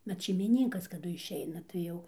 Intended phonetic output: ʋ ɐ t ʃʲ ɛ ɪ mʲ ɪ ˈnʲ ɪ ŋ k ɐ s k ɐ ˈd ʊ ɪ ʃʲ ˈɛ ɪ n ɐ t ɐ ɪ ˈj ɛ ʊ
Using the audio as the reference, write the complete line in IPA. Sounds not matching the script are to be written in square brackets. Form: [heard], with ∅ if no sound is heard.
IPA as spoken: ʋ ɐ t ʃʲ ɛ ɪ mʲ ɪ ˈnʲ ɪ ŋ k ɐ s k ɐ ˈd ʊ ɪ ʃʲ ˈɛ ɪ n ɐ t ɐ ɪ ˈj ɛ ʊ